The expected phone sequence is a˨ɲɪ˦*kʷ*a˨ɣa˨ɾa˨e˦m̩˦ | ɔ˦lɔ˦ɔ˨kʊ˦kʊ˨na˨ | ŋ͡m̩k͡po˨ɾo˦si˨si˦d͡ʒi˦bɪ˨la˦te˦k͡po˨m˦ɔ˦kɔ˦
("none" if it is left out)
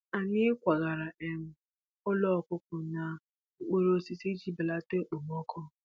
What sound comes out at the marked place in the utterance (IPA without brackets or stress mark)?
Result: kʷ